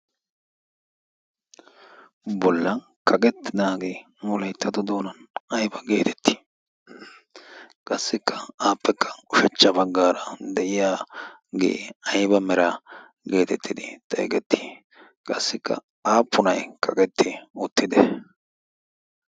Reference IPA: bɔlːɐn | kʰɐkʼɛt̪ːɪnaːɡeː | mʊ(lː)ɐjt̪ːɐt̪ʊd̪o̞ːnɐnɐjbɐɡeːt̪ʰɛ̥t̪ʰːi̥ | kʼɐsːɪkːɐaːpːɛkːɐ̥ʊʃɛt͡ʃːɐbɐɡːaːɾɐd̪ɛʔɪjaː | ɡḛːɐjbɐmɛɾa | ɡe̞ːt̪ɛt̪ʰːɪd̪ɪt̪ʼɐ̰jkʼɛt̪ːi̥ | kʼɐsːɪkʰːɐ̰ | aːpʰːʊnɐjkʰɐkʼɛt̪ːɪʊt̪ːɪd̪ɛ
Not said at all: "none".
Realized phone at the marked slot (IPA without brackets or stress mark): l